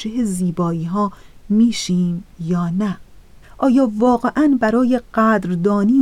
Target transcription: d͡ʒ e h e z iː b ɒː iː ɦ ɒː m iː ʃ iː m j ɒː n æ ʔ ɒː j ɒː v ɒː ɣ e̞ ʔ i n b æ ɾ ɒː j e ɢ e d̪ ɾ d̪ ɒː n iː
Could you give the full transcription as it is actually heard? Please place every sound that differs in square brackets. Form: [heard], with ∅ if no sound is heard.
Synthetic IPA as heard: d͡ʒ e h e z iː b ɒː iː ɦ ɒː m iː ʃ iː m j ɒː n æ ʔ ɒː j ɒː v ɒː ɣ e̞ ʔ [æ] n b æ ɾ ɒː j e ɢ [æ] d̪ ɾ d̪ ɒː n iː